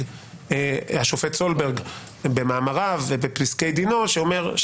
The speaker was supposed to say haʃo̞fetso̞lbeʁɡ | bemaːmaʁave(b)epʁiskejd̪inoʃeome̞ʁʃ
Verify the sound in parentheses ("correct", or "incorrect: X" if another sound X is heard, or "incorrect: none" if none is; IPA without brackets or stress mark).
correct